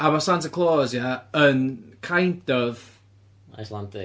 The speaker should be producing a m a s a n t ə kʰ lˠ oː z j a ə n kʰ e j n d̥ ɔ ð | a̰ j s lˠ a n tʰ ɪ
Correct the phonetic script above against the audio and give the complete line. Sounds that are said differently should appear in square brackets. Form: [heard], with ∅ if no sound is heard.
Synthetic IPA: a m a s a n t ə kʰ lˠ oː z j a ə n kʰ [a] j n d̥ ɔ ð | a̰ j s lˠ a n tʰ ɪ